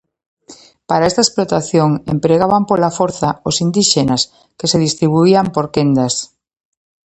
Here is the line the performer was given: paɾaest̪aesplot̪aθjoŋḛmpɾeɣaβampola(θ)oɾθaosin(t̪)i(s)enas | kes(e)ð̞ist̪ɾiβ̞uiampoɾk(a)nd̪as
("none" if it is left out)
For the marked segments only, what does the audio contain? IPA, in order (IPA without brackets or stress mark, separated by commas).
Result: f, d̪, ʃ, e, e